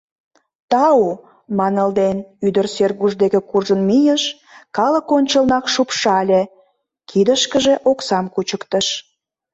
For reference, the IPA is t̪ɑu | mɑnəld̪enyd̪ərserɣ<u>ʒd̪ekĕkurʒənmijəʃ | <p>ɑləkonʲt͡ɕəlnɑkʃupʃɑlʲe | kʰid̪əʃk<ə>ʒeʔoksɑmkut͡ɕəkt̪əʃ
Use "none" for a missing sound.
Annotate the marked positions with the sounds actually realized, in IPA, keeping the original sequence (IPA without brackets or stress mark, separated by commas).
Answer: u, k, ə